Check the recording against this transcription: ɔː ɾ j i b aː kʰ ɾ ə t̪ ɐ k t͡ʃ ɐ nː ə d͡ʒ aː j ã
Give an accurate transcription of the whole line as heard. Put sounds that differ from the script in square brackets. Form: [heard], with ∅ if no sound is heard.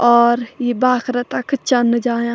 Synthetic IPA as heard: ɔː ɾ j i b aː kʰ ɾ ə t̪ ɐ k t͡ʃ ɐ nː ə d͡ʒ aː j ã